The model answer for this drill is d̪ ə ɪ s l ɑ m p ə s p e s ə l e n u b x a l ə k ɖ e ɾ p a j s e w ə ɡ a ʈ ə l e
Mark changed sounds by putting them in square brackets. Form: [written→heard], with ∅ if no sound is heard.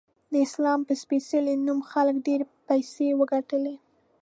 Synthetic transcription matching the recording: d̪ ə ɪ s l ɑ m p ə s p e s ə l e n u [b→m] x a l ə k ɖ e ɾ p a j s e w ə ɡ a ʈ ə l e